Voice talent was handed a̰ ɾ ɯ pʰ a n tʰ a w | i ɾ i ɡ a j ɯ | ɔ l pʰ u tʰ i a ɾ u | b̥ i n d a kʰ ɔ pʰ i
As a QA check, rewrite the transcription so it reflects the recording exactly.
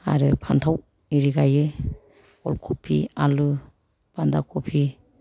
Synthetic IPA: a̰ ɾ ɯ pʰ a n tʰ a w | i ɾ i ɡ a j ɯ | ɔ l kʰ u pʰ i a l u | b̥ a n d a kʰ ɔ pʰ i